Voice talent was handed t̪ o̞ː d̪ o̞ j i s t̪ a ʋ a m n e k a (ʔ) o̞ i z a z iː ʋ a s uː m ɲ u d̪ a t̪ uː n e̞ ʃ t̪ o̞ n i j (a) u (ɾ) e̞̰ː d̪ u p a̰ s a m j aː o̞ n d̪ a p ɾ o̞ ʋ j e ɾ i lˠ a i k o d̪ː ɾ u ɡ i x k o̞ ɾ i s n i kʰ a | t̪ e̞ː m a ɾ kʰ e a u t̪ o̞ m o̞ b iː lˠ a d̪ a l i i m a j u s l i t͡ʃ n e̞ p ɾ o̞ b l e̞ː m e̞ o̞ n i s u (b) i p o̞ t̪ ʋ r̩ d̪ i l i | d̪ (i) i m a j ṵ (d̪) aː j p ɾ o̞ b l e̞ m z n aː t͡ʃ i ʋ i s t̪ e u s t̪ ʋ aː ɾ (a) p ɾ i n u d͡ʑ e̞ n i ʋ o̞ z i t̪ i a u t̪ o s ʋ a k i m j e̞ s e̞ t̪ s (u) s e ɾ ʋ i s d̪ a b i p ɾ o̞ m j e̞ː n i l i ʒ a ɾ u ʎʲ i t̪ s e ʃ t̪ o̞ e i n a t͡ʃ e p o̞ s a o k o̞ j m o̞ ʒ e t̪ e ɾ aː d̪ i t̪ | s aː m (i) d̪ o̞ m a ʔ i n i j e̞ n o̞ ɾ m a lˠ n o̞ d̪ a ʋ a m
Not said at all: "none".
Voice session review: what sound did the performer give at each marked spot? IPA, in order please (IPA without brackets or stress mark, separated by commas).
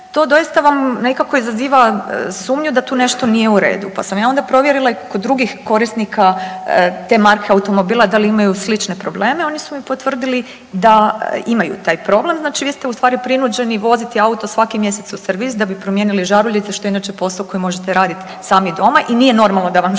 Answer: k, e, ɾ, m, a, t̪, i, u, i